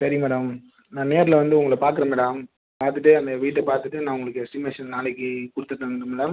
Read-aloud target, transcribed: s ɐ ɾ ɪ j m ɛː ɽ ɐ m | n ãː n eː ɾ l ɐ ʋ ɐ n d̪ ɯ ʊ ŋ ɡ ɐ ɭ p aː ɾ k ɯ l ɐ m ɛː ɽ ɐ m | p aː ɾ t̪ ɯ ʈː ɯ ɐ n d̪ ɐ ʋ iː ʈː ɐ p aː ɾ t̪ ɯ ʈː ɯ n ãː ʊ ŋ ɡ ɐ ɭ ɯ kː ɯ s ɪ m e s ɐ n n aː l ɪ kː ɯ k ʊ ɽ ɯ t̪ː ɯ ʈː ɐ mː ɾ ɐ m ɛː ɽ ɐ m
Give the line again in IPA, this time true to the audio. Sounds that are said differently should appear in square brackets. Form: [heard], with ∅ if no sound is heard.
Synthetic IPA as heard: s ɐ ɾ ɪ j m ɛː ɽ ɐ m | n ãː n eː ɾ l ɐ ʋ ɐ n d̪ ɯ ʊ ŋ ɡ ɐ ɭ p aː ɾ k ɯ [ɾ] ɐ m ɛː ɽ ɐ m | p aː ɾ t̪ ɯ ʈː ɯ ɐ n d̪ ɐ ʋ iː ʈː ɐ p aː ɾ t̪ ɯ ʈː ɯ n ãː ʊ ŋ ɡ ɐ ɭ ɯ kː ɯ s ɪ m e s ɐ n n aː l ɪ kː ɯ k ʊ ɽ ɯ t̪ː ɯ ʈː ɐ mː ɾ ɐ m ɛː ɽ ɐ m

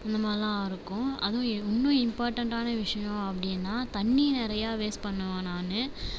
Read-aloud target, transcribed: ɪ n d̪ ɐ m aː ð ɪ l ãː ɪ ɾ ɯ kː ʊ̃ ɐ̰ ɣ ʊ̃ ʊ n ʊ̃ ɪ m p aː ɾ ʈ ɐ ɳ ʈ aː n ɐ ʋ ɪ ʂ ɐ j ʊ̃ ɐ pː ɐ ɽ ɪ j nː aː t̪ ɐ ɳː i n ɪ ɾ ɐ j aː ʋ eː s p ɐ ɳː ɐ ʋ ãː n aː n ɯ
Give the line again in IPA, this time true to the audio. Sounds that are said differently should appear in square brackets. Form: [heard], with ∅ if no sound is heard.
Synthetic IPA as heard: ɪ n d̪ ɐ m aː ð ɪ l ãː ɪ ɾ ɯ kː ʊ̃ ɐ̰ [ð] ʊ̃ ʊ [nː] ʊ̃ ɪ m p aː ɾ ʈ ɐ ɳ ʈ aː n ɐ ʋ ɪ ʂ ɐ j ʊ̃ ɐ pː ɐ ɽ ɪ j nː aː t̪ ɐ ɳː i n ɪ ɾ ɐ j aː ʋ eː s p ɐ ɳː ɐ ʋ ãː n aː n ɯ

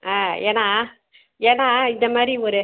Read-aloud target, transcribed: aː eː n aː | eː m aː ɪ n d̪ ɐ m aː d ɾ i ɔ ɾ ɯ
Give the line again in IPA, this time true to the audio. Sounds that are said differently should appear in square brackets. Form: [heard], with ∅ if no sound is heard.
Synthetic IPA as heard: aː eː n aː | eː [n] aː ɪ n d̪ ɐ m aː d ɾ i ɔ ɾ ɯ

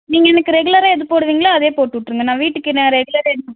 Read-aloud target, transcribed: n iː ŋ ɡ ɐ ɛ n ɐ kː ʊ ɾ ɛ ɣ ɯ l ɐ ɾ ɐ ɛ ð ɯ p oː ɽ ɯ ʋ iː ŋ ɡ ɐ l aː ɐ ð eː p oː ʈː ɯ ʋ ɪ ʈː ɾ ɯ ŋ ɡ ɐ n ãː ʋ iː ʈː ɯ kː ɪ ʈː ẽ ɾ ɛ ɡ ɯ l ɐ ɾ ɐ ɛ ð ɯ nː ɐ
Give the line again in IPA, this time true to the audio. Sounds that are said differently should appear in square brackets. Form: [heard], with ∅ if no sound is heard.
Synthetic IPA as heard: n iː ŋ ɡ ɐ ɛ n ɐ kː [ɯ] ɾ ɛ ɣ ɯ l ɐ ɾ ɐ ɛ ð ɯ p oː ɽ ɯ ʋ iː ŋ ɡ ɐ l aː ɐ ð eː p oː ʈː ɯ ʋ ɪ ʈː ɾ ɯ ŋ ɡ ɐ n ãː ʋ iː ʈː ɯ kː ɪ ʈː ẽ ɾ ɛ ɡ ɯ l ɐ ɾ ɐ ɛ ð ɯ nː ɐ

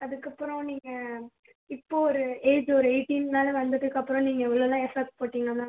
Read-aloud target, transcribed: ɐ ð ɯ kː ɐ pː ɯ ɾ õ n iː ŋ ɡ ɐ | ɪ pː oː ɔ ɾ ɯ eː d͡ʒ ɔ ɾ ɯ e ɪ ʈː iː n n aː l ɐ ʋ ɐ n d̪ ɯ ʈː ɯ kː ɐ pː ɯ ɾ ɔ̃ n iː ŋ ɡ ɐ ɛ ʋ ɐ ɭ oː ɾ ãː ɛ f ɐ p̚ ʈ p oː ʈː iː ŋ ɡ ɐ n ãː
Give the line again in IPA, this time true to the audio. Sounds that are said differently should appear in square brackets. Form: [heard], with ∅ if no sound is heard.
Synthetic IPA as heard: ɐ ð ɯ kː ɐ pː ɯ ɾ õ n iː ŋ ɡ ɐ | ɪ pː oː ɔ ɾ ɯ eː d͡ʒ ɔ ɾ ɯ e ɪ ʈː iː n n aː l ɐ ʋ ɐ n d̪ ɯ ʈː ɯ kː ɐ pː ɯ ɾ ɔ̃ n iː ŋ ɡ ɐ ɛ ʋ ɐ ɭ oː [l] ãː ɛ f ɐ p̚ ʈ p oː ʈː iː ŋ ɡ ɐ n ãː

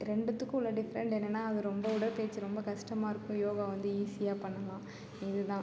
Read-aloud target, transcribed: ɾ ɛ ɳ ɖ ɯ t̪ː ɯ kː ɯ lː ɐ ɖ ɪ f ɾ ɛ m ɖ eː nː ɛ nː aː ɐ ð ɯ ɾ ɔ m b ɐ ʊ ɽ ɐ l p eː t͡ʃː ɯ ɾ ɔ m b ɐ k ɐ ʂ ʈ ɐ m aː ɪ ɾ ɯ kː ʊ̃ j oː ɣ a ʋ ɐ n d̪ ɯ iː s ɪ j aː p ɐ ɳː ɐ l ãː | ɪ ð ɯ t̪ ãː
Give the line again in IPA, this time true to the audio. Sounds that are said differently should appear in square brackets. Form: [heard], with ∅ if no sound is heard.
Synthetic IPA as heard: ɾ ɛ ɳ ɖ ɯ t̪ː ɯ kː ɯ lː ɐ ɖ ɪ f ɾ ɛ [ɳ] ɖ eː nː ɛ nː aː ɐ ð ɯ ɾ ɔ m b ɐ ʊ ɽ ɐ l p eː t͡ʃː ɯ ɾ ɔ m b ɐ k ɐ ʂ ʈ ɐ m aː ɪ ɾ ɯ kː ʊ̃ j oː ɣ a ʋ ɐ n d̪ ɯ iː s ɪ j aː p ɐ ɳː ɐ l ãː | ɪ ð ɯ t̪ ãː

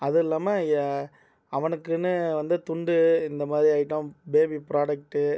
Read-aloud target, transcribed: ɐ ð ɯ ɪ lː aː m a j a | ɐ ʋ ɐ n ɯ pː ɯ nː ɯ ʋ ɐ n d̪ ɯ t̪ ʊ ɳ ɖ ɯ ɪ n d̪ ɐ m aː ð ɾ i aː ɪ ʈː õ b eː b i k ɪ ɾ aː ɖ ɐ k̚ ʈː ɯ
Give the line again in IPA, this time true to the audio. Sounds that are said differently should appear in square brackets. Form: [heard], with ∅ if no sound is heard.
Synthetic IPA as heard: ɐ ð ɯ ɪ lː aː m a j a | ɐ ʋ ɐ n ɯ [kː] ɯ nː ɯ ʋ ɐ n d̪ ɯ t̪ ʊ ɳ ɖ ɯ ɪ n d̪ ɐ m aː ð ɾ i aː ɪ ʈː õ b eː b i [p] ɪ ɾ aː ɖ ɐ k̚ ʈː ɯ

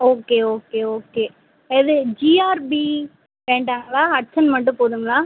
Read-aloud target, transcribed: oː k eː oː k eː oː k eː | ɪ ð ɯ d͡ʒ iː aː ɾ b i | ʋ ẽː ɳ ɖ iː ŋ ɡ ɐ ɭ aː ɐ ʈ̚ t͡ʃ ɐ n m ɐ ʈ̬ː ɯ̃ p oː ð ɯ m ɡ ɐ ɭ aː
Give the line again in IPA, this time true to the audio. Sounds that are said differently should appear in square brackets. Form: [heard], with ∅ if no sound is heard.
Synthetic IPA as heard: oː k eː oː k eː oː k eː | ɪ ð ɯ d͡ʒ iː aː ɾ b i | ʋ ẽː ɳ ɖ [aː] ŋ ɡ ɐ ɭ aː ɐ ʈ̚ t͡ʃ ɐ n m ɐ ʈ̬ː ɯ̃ p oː ð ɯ [ŋ] ɡ ɐ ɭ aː

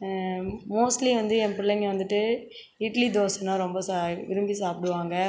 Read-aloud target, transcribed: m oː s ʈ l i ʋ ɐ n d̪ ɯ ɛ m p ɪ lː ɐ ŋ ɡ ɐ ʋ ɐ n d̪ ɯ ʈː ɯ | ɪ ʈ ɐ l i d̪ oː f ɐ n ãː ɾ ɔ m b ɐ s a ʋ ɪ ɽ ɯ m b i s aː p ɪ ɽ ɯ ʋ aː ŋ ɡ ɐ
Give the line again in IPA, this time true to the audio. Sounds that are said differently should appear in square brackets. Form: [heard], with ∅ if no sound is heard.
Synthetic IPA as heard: m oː s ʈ l i ʋ ɐ n d̪ ɯ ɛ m p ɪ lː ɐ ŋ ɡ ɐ ʋ ɐ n d̪ ɯ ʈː ɯ | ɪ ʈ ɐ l i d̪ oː [s] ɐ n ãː ɾ ɔ m b ɐ s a ʋ ɪ [ɾ] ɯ m b i s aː p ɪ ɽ ɯ ʋ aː ŋ ɡ ɐ

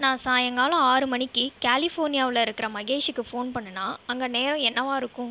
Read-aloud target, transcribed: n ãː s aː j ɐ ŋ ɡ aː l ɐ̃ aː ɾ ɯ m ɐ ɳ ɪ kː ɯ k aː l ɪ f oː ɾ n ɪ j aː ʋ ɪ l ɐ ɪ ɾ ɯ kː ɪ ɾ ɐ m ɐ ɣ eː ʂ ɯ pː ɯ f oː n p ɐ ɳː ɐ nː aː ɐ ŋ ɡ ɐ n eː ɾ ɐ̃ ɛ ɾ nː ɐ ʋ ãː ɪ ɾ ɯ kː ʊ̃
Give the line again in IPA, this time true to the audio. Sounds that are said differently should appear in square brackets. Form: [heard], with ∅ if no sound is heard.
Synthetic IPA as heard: n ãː s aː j ɐ ŋ ɡ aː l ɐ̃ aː ɾ ɯ m ɐ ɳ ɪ kː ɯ k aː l ɪ f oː ɾ n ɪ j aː ʋ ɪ l ɐ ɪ ɾ ɯ kː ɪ ɾ ɐ m ɐ ɣ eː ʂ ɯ [kː] ɯ f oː n p ɐ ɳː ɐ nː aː ɐ ŋ ɡ ɐ n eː ɾ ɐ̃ ɛ [∅] nː ɐ ʋ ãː ɪ ɾ ɯ kː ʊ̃

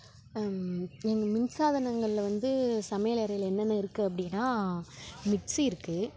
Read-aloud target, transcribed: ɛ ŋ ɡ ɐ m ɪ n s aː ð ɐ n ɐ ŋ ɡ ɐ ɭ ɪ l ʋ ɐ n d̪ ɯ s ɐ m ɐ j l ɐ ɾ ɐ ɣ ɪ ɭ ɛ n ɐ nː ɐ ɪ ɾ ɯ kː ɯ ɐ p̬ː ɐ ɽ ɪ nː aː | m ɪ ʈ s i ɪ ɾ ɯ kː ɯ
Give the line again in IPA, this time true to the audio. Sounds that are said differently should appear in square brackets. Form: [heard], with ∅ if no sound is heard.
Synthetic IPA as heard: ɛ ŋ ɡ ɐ m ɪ n s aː ð ɐ n ɐ ŋ ɡ ɐ ɭ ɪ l ʋ ɐ n d̪ ɯ s ɐ m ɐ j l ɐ ɾ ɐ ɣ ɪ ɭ ɛ [nː] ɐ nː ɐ ɪ ɾ ɯ kː ɯ ɐ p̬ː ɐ ɽ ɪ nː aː | m ɪ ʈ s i ɪ ɾ ɯ kː ɯ

